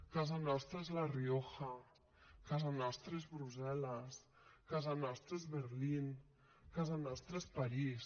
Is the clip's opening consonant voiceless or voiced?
voiceless